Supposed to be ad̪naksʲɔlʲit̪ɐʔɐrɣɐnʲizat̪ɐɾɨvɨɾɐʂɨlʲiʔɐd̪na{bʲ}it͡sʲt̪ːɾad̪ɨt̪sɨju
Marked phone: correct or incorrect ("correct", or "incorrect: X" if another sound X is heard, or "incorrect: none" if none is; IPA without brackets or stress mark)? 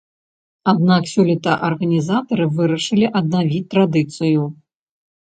incorrect: vʲ